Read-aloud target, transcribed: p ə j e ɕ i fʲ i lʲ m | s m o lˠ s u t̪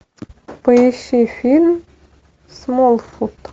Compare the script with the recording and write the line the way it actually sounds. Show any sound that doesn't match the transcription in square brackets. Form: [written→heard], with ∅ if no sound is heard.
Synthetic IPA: p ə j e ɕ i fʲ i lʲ m | s m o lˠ [s→f] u t̪